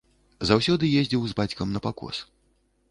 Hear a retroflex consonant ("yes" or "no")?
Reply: no